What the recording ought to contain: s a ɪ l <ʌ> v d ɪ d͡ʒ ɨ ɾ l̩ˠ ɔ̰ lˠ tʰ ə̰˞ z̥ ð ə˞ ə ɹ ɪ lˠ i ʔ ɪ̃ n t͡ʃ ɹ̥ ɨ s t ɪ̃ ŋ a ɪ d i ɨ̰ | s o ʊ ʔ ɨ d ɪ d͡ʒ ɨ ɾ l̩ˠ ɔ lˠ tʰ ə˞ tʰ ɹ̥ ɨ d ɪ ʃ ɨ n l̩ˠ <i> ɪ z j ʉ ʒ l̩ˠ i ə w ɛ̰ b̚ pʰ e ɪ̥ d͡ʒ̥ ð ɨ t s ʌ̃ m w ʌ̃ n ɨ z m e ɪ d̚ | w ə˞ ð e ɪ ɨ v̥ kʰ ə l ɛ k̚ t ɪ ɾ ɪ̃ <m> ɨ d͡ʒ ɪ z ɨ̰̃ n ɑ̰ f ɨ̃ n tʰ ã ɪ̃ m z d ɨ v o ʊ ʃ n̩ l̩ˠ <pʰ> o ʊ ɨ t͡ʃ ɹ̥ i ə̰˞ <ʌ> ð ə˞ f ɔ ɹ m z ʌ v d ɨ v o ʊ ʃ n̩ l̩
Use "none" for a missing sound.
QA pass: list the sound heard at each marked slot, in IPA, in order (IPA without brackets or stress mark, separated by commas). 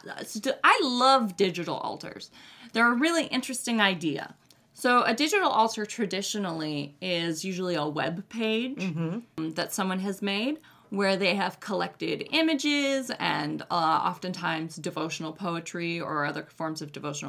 ʌ, i, m, pʰ, ʌ